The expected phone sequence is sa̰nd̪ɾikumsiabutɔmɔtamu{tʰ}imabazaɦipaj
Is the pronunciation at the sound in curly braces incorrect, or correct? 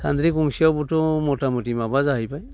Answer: incorrect